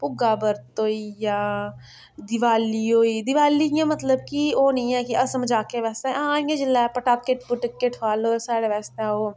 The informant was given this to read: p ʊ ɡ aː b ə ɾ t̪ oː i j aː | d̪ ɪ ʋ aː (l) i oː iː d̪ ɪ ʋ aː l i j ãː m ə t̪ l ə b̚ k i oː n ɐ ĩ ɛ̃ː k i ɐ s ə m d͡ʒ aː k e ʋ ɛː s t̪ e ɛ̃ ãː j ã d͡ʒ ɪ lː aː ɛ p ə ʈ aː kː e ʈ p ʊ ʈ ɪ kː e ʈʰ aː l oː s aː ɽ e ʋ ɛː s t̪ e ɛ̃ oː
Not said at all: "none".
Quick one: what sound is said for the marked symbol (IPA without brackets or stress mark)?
l